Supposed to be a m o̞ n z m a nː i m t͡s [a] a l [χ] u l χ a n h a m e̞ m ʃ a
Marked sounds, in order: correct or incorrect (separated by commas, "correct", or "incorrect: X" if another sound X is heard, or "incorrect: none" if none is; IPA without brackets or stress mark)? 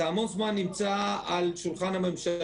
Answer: correct, incorrect: ʃ